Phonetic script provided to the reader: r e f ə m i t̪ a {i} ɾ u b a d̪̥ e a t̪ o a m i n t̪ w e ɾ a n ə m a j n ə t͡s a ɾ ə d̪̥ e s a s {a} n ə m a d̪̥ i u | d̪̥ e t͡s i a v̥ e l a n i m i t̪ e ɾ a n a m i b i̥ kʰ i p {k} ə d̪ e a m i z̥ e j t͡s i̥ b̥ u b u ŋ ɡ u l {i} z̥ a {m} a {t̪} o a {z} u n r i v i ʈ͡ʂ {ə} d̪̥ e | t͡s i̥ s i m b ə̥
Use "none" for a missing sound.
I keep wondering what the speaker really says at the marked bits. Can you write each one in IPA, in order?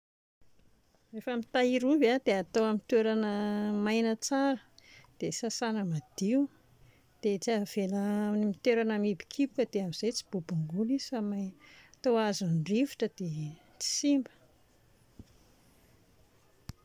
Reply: i, a, k, i, m, t̪, z, ə

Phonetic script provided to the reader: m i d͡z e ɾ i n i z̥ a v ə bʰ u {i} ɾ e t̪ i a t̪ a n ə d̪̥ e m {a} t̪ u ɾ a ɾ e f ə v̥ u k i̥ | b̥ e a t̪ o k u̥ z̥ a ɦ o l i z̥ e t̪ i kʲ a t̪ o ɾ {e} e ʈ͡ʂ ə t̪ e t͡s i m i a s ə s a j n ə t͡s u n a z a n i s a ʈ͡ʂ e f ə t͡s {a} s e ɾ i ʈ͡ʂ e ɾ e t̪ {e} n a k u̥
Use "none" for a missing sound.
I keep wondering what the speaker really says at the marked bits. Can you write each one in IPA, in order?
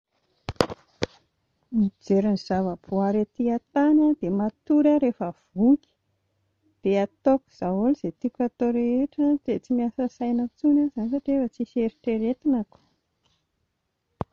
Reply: a, a, e, i, i

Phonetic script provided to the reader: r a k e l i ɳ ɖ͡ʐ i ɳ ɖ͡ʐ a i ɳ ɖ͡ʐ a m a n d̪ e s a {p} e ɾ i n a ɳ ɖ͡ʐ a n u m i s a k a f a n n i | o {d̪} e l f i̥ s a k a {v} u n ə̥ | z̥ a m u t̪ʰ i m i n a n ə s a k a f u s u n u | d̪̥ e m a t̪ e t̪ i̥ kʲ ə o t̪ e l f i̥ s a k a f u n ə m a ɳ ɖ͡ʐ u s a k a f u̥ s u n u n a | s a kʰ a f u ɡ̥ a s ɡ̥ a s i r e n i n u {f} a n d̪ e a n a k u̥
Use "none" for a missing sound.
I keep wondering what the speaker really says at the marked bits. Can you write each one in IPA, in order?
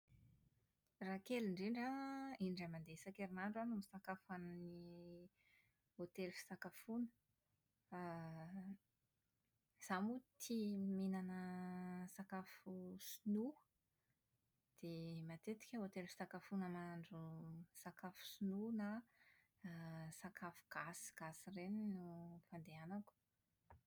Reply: k, t̪, f, f

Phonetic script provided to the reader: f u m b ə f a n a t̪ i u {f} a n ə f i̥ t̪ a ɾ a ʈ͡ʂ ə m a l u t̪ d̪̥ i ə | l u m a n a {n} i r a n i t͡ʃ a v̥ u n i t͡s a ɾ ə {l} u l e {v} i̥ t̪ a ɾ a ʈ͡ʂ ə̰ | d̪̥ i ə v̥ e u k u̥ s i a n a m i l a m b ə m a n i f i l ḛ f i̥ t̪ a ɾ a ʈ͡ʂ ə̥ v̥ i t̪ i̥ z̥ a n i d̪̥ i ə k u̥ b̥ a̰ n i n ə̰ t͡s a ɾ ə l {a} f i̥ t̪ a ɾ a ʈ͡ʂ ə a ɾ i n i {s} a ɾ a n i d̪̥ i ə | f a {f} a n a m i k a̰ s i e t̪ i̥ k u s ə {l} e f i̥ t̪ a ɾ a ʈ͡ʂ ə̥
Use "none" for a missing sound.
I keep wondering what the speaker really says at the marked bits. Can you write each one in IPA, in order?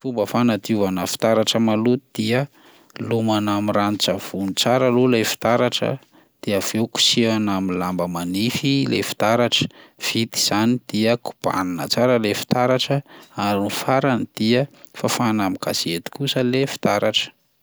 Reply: v, m, l, f, e, f, f, l

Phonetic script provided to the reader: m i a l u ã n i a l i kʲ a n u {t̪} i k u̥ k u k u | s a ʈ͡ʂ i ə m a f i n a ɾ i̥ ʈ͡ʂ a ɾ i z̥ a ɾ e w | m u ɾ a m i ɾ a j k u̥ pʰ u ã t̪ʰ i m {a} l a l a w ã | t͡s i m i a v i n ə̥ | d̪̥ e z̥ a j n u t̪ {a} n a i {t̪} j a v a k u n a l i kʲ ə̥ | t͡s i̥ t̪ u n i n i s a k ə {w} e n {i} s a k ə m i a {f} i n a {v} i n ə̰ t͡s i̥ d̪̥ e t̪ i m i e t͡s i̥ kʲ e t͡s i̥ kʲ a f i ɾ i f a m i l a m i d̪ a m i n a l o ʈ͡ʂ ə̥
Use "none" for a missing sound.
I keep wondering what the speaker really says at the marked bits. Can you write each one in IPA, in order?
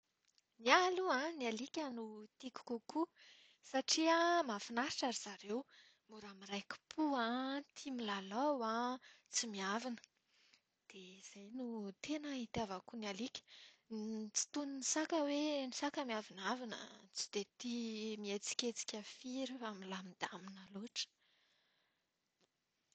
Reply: t̪, i, e, t̪, w, i, v, v

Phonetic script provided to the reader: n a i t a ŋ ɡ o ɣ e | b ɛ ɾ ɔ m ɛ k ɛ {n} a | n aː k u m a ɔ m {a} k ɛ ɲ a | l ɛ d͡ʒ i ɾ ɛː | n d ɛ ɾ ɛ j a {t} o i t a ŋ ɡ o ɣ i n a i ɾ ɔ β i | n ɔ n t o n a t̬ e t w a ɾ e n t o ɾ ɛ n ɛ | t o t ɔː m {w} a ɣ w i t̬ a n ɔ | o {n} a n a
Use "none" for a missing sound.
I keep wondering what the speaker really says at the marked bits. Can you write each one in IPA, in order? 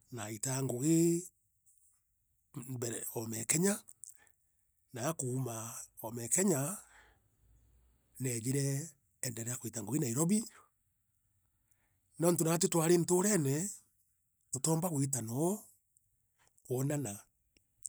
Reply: ɲ, ɛ, k, b, n

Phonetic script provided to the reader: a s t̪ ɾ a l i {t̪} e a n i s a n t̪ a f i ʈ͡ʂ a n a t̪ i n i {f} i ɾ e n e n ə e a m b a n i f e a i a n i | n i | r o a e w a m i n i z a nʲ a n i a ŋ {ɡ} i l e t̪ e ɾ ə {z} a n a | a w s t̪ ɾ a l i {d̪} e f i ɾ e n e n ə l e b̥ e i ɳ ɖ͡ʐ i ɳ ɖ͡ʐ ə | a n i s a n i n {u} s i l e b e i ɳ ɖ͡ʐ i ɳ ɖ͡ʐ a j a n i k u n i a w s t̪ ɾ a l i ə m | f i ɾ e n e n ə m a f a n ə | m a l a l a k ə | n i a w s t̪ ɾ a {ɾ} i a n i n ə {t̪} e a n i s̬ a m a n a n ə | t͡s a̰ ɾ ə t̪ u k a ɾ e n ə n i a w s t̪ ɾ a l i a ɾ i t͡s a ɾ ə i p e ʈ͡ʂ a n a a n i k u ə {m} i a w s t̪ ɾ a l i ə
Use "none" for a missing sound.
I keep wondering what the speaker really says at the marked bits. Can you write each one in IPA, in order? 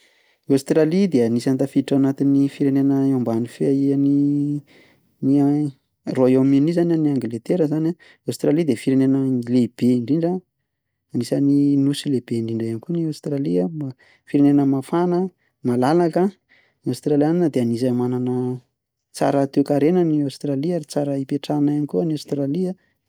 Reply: d̪, f, ɡ, z, d̪, u, l, d̪, n

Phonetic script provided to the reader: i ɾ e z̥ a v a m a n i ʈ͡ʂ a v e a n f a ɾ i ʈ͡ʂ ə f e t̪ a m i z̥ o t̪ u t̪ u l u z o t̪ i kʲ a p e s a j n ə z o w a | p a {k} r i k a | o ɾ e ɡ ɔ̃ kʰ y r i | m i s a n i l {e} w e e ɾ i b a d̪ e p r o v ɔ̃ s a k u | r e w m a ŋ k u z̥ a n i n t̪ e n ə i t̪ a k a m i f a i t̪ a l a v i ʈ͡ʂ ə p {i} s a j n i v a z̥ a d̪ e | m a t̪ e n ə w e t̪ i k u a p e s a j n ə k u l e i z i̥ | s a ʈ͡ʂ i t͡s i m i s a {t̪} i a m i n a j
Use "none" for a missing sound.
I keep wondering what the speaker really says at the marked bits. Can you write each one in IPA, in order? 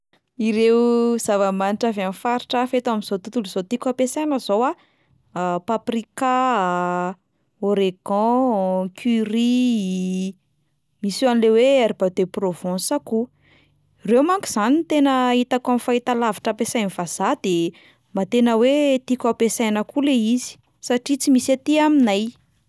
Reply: p, e, e, t̪

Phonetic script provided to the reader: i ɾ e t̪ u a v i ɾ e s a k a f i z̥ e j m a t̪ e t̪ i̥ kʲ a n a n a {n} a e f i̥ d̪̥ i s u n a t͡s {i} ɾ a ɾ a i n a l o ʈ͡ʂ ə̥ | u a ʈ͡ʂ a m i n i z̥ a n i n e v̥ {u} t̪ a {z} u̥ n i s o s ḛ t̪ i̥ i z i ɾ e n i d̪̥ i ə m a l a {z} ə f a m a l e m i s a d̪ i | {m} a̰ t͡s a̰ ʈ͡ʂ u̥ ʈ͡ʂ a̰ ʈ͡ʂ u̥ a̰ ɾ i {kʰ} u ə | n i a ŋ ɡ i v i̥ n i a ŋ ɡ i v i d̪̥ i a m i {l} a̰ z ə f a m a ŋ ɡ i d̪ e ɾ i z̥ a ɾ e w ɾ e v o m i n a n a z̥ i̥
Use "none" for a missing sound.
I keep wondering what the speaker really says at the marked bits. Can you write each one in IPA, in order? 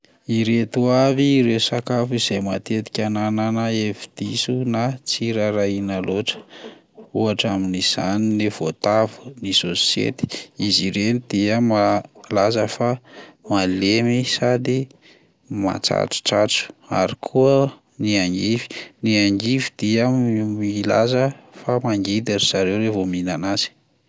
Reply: n, i, o, v, z, m, kʰ, l

